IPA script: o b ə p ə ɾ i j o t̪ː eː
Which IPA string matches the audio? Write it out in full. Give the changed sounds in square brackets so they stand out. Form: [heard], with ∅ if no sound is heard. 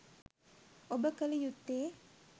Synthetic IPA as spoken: o b ə [k] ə [l] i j [u] t̪ː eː